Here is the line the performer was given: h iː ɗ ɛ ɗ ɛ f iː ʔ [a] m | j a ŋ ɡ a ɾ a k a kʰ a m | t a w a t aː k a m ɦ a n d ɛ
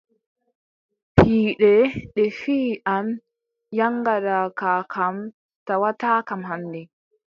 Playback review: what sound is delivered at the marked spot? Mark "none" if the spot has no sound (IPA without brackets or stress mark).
a